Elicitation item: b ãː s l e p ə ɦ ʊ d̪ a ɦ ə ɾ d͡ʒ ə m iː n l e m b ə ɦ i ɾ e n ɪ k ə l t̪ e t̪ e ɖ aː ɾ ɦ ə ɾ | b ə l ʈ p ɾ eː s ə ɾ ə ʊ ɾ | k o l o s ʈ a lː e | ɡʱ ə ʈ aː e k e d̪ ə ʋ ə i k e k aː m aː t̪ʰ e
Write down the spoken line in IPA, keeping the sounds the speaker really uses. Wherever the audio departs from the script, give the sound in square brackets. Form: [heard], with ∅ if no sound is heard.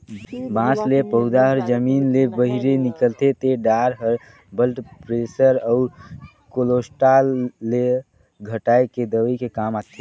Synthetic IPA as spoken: b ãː s l e p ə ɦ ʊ d̪ a ɦ ə ɾ d͡ʒ ə m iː n l e [∅] b ə ɦ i ɾ e n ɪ k ə l t̪ e t̪ e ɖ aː ɾ ɦ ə ɾ | b ə l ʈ p ɾ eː s ə ɾ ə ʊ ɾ | k o l o s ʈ a lː e | ɡʱ ə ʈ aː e k e d̪ ə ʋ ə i k e k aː m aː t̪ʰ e